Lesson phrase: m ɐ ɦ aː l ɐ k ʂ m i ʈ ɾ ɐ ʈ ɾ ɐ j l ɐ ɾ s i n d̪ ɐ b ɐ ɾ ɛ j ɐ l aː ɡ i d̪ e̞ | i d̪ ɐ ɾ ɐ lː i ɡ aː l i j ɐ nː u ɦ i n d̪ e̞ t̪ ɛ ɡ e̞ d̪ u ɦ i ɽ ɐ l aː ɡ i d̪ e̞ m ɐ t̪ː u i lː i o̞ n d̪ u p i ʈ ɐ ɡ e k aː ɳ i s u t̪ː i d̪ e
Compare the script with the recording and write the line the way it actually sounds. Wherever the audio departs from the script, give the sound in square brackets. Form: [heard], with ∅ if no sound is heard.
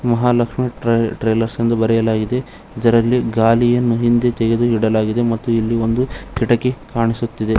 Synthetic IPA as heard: m ɐ ɦ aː l ɐ k ʂ m i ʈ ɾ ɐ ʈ ɾ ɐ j l ɐ ɾ s i n d̪ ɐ b ɐ ɾ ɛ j ɐ l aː ɡ i d̪ e̞ | i d̪ ɐ ɾ ɐ lː i ɡ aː l i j ɐ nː u ɦ i n d̪ e̞ t̪ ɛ ɡ e̞ d̪ u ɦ i ɽ ɐ l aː ɡ i d̪ e̞ m ɐ t̪ː u i lː i o̞ n d̪ u [k] i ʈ ɐ [k] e k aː ɳ i s u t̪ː i d̪ e